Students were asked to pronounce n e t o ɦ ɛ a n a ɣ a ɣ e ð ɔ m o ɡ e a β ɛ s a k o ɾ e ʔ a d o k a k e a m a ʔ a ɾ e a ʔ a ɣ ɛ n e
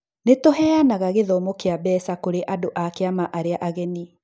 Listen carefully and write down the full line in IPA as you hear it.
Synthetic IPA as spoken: n e t o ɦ ɛ a n a ɣ a ɣ e ð ɔ m o k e a b ɛ s a k o ɾ e ʔ a d o ʔ a k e a m a ʔ a ɾ e a ʔ a ɣ ɛ n i

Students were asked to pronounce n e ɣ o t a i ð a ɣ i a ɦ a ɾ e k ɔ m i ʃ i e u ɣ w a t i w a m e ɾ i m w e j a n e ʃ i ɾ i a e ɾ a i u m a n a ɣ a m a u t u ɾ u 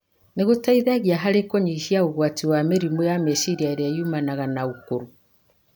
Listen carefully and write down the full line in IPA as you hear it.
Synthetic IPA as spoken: n e ɣ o t a i ð a ɣ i a ɦ a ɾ e k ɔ ɲ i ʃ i a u ɣ w a t i w a m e ɾ i m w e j a m e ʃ i ɾ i a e ɾ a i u m a n a ɣ a n a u k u ɾ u

